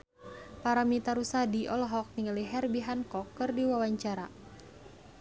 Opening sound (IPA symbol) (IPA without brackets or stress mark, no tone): p